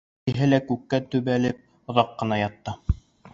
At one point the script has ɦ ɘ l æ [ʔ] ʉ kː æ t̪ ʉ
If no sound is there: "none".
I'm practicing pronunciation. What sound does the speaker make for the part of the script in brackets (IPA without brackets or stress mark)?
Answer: k